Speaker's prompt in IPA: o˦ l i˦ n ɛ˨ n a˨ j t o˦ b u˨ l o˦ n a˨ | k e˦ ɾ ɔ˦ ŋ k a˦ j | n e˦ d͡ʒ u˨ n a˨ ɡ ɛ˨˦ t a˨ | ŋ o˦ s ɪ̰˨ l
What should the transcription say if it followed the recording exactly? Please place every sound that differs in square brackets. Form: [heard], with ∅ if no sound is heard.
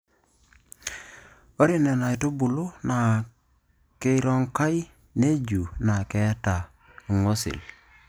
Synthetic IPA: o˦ [ɾ] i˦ n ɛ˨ n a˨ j t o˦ b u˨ l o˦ n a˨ | k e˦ ɾ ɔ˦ ŋ k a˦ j | n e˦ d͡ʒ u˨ n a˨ [k] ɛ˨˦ t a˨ | ŋ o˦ s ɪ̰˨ l